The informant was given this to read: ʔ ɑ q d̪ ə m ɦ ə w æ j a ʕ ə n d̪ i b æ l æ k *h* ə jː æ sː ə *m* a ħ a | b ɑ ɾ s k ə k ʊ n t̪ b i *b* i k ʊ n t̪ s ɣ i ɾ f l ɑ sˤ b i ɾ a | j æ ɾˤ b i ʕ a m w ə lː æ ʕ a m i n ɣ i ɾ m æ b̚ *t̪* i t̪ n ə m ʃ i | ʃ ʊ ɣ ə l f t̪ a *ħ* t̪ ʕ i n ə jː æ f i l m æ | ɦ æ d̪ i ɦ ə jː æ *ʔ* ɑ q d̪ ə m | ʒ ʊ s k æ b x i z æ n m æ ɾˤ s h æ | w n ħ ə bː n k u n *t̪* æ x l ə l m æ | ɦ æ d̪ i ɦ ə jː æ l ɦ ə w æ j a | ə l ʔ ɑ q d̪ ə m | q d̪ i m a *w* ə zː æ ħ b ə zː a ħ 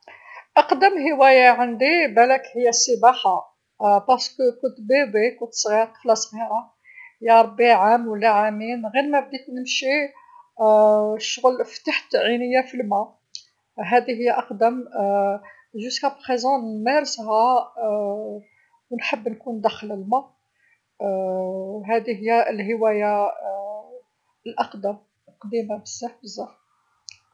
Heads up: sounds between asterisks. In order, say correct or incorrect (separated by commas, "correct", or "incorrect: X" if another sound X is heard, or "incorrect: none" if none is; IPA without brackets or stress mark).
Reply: correct, incorrect: b, correct, incorrect: d̪, correct, correct, incorrect: d̪, incorrect: b